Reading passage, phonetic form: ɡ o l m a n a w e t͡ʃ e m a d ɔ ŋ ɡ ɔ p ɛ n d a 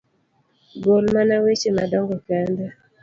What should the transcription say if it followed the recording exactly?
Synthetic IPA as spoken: ɡ o l m a n a w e t͡ʃ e m a d ɔ ŋ ɡ ɔ k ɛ n d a